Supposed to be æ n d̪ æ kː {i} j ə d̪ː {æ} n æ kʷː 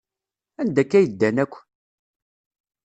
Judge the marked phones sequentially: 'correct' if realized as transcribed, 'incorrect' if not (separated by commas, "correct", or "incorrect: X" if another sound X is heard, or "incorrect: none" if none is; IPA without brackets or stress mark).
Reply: incorrect: æ, correct